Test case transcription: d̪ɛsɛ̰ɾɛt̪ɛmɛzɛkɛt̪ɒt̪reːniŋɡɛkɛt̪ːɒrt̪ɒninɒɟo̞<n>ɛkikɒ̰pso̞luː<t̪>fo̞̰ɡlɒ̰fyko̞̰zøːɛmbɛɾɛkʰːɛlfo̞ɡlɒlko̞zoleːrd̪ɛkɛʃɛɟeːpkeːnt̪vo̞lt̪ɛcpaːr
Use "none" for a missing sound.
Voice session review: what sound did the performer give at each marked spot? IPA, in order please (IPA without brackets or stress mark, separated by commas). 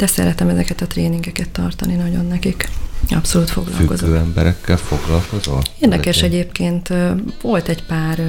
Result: nː, t̪